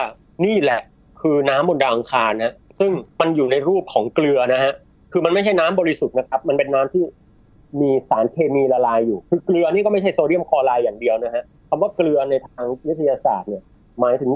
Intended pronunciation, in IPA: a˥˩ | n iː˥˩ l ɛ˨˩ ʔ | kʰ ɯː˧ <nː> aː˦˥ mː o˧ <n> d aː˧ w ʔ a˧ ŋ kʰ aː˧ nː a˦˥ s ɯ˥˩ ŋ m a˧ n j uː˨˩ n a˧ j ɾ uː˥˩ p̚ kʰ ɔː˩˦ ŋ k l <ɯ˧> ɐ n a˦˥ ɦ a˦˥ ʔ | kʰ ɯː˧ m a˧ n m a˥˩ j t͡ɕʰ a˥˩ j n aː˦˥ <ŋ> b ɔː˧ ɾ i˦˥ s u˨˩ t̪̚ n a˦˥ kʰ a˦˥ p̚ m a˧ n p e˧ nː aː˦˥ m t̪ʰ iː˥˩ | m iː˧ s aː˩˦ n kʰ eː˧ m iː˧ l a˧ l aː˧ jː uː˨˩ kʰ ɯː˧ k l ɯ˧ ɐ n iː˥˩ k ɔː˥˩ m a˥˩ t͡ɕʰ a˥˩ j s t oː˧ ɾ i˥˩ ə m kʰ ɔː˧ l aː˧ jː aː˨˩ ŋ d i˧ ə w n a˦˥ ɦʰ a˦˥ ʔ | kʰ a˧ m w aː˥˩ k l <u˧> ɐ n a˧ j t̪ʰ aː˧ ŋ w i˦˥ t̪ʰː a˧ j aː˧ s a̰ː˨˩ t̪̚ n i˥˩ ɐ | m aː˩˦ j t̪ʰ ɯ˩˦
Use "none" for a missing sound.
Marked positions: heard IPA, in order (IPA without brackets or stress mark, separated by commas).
n, n, ɯ˧, m, ɯ˧